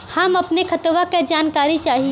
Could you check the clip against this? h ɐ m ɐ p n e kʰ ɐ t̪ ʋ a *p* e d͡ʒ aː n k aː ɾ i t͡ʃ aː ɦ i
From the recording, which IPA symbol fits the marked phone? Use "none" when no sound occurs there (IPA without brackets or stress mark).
k